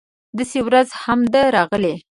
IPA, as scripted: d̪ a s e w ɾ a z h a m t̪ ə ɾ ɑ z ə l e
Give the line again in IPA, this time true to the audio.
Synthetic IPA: d̪ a s e w ɾ a z h a m d̪ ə ɾ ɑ ɣ ə l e